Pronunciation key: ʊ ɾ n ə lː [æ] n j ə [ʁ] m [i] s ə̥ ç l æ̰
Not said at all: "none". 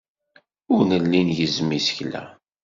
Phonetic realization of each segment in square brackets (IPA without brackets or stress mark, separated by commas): i, z, i